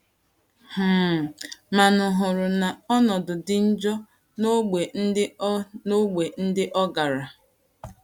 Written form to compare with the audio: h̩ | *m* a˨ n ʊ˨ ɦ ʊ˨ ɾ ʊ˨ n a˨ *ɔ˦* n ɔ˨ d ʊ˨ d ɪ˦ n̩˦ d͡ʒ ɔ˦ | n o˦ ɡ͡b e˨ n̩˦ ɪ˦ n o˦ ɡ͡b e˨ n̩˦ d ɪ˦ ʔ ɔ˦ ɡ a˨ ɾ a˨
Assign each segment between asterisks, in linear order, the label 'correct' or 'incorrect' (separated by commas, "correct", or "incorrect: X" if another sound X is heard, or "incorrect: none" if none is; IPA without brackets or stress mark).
correct, correct